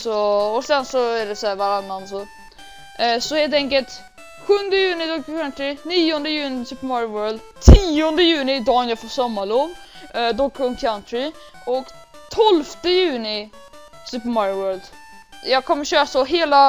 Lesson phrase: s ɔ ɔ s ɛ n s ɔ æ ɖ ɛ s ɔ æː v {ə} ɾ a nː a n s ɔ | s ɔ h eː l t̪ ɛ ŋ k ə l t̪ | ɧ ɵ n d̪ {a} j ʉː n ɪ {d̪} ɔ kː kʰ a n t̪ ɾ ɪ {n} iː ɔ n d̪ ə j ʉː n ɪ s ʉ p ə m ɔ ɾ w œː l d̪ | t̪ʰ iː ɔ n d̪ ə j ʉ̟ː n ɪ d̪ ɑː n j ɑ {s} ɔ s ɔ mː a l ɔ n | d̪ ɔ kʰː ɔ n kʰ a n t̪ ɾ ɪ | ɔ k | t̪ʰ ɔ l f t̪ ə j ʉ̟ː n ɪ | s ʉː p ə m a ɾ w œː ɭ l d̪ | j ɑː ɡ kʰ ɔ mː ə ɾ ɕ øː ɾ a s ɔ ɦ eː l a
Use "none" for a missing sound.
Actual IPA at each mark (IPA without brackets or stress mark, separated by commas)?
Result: a, ə, d̪, n, f